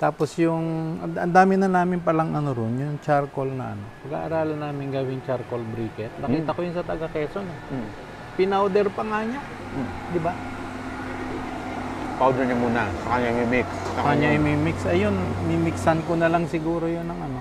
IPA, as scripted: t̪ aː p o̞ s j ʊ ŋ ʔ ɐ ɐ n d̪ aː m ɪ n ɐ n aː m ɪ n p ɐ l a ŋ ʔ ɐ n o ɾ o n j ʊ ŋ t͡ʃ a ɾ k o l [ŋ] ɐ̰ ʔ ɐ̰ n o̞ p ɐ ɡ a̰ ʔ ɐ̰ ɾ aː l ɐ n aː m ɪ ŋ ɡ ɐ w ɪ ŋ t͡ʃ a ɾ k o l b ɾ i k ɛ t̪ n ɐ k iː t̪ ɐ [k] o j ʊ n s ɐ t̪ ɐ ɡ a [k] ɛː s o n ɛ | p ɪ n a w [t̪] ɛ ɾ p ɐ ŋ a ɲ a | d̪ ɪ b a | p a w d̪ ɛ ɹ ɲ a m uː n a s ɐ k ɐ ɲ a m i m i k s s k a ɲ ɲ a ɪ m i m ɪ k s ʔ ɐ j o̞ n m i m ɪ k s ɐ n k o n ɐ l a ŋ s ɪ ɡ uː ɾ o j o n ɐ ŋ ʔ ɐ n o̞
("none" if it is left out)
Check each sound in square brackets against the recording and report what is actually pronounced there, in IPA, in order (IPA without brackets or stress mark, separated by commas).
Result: n, k, k, d̪